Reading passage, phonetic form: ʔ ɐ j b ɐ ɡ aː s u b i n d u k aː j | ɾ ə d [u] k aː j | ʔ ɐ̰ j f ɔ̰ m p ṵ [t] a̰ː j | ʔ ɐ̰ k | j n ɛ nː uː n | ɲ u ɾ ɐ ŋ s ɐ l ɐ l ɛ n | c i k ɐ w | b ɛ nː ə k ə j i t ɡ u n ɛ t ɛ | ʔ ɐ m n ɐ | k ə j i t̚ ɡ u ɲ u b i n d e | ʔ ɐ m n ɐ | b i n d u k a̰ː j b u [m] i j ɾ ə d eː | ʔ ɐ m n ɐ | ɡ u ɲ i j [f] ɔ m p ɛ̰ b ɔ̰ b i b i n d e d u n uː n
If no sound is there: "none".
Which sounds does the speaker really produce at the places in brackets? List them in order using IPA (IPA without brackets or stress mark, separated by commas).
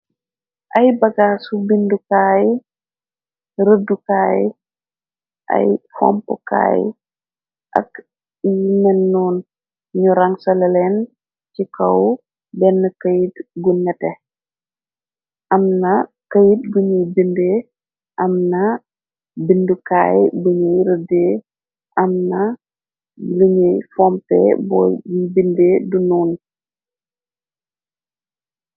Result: u, k, ɲ, f